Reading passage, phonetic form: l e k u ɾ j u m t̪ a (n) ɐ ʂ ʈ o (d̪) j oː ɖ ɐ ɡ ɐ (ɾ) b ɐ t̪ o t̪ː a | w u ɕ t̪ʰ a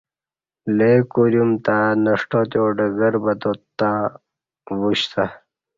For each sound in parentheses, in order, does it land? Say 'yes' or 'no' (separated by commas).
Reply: yes, no, yes